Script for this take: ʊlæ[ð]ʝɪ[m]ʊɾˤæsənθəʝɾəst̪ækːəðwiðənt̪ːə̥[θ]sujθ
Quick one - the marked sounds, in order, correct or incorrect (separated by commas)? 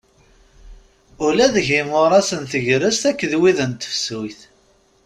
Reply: correct, correct, incorrect